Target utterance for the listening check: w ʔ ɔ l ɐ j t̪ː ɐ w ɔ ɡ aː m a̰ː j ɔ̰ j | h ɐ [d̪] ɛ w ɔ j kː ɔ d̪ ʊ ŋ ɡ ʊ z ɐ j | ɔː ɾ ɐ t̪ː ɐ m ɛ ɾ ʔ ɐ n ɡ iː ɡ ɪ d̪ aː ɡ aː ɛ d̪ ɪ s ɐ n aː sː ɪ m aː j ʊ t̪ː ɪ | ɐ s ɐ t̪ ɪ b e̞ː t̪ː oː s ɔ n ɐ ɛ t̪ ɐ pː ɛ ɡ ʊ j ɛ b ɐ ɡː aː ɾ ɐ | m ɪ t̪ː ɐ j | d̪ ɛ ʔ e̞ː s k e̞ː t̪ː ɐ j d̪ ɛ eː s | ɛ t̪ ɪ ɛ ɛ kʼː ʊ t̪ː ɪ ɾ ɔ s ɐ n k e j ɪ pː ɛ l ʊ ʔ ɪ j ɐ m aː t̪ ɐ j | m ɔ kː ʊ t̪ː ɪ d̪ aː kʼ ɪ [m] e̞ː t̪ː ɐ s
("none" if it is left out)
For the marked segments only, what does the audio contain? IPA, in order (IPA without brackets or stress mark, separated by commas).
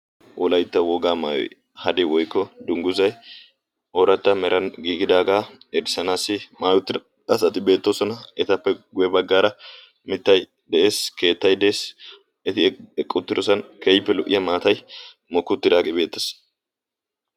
d̪, b